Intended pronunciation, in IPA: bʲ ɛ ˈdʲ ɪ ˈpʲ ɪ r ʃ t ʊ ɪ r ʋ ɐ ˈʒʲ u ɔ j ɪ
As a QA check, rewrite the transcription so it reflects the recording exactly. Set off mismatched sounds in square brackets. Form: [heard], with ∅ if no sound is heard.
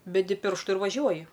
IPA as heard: bʲ ɛ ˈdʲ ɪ ˈpʲ ɪ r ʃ t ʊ ɪ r ʋ ɐ ˈʒʲ u ɔ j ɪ